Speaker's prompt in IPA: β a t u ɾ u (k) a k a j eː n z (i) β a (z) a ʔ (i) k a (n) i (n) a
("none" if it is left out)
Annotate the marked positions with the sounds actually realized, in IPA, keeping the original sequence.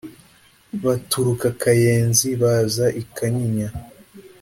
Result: k, i, z, i, ɲ, ɲ

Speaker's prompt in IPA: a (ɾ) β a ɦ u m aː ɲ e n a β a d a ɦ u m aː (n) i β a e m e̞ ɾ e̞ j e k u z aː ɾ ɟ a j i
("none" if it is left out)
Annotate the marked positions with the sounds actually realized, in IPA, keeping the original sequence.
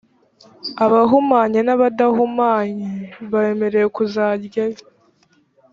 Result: none, ɲ

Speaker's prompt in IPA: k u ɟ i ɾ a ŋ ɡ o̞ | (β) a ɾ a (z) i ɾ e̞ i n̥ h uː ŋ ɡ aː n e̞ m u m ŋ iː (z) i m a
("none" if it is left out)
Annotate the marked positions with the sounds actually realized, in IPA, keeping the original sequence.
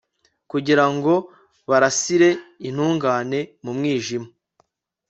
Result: β, s, ʒ

